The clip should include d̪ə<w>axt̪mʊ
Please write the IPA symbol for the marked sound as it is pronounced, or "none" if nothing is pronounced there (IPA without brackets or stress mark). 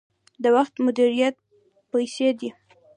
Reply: w